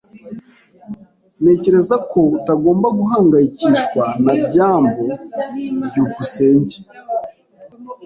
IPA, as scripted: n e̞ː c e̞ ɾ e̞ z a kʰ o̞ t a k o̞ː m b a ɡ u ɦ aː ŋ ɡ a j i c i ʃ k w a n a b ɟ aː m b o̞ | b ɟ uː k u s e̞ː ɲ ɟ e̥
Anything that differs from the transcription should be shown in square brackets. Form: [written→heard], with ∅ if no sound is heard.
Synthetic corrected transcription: n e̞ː c e̞ ɾ e̞ z a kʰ o̞ t a [k→ɡ] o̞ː m b a ɡ u ɦ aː ŋ ɡ a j i c i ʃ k w a n a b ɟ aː m b o̞ | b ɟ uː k u s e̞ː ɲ ɟ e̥